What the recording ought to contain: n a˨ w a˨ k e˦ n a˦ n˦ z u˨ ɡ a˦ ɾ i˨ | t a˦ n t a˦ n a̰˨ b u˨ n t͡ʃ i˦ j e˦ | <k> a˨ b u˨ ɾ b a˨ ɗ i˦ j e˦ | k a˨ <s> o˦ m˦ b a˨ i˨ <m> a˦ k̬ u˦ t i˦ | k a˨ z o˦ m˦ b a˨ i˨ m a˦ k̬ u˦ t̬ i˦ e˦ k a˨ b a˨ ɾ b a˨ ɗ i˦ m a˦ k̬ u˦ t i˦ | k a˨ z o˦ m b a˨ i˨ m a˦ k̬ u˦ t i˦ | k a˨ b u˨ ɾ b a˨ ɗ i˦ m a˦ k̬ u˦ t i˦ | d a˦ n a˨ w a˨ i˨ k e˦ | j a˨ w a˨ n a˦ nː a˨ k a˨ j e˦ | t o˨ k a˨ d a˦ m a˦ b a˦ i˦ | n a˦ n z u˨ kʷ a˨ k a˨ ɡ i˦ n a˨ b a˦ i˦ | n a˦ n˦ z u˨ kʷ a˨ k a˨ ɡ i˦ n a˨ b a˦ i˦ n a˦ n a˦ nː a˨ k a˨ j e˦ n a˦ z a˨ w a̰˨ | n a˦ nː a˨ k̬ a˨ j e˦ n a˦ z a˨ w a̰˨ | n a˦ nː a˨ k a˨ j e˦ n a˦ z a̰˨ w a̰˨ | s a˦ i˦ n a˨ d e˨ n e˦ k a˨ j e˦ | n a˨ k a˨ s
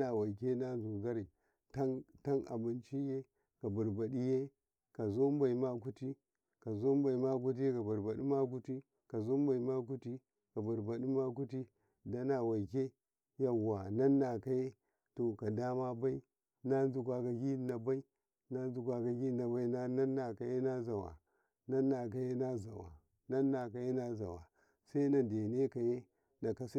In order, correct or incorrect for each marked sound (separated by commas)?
correct, incorrect, correct